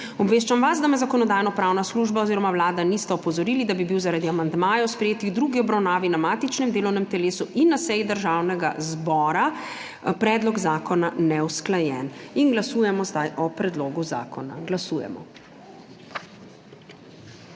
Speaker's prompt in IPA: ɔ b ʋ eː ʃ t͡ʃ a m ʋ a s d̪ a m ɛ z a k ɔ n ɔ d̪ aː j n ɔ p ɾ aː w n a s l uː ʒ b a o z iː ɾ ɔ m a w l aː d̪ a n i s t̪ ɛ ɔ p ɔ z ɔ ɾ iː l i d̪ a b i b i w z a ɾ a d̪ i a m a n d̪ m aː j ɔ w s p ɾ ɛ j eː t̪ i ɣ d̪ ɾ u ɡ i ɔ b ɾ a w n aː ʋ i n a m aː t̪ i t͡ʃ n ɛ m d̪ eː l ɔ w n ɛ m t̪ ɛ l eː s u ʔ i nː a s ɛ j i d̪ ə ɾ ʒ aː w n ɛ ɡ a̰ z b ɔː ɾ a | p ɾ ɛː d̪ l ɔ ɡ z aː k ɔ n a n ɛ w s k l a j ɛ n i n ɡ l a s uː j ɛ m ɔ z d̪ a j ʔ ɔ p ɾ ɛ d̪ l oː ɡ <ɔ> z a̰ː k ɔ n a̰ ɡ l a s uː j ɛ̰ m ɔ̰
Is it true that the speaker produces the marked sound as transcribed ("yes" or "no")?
no